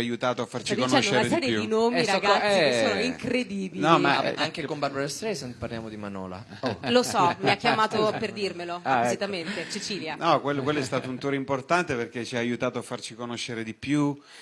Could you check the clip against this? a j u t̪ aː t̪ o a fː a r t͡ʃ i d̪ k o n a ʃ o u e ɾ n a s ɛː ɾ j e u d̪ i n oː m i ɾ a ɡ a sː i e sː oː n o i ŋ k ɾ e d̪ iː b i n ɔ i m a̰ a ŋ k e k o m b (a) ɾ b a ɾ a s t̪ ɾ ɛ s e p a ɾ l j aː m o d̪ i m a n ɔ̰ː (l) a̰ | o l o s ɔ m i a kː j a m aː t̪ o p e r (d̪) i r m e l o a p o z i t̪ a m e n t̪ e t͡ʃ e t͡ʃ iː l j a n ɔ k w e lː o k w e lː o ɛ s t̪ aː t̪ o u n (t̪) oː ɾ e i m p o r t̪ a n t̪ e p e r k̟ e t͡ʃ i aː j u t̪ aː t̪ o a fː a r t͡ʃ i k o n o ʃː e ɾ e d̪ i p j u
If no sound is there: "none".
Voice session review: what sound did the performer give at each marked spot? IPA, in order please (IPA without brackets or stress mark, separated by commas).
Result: a, l, d̪, t̪